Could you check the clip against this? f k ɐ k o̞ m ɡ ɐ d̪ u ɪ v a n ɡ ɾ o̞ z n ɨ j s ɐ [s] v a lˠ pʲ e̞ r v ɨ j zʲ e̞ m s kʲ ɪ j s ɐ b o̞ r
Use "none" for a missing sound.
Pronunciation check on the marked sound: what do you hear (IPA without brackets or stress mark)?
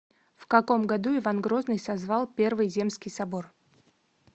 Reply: z